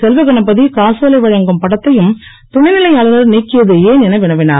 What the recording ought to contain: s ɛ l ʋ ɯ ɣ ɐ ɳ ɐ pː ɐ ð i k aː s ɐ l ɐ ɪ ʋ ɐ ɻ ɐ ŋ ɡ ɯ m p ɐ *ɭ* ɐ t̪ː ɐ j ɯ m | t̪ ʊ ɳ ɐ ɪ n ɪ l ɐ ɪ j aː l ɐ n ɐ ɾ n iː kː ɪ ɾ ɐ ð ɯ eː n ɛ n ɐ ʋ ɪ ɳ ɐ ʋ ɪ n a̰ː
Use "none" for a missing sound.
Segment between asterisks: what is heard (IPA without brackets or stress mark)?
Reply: ɽ